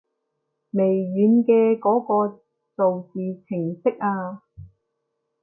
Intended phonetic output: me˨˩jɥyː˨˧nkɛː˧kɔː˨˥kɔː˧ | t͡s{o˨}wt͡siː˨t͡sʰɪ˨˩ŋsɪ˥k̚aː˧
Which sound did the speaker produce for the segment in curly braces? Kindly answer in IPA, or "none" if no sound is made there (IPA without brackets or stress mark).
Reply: o˨